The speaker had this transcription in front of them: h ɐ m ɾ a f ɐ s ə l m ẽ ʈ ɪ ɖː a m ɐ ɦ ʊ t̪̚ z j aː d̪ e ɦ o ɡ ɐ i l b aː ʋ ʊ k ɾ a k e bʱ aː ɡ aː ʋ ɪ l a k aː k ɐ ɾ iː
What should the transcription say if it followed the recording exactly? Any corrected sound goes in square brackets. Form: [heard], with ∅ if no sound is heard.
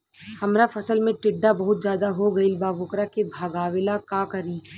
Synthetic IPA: h ɐ m ɾ a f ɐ s ə l m ẽ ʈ ɪ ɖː a [b] ɐ ɦ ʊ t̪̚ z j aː d̪ [a] ɦ o ɡ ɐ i l b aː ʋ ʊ k ɾ a k e bʱ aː ɡ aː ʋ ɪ l a k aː k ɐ ɾ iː